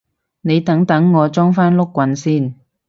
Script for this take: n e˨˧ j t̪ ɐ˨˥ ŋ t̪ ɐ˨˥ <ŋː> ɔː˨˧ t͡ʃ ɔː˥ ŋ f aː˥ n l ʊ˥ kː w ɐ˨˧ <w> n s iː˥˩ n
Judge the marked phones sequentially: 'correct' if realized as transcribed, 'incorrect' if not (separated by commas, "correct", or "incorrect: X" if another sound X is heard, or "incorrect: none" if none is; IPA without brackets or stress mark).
correct, incorrect: none